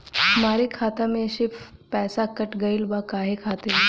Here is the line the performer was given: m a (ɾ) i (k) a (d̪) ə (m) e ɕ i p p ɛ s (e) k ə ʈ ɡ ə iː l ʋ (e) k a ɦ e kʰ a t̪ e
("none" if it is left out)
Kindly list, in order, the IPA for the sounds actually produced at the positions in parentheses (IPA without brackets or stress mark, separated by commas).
ɾ, kʰ, t̪, m, a, a